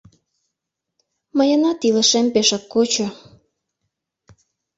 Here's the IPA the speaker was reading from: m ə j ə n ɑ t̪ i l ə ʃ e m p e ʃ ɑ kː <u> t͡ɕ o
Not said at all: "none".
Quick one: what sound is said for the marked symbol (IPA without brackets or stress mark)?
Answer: o